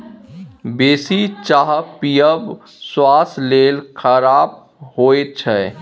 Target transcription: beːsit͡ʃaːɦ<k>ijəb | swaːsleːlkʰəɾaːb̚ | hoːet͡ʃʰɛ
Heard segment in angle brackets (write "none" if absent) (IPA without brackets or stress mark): p